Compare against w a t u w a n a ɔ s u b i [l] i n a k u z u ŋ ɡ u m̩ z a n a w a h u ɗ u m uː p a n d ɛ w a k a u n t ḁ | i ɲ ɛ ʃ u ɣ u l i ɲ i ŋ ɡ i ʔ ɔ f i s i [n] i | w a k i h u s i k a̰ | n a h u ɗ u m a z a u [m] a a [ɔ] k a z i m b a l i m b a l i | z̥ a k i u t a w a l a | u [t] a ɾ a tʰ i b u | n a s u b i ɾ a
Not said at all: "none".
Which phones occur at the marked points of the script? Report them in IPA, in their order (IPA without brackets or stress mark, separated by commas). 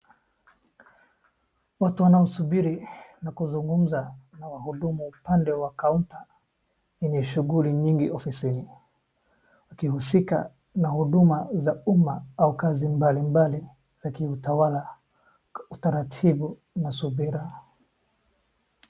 ɾ, n, m, u, t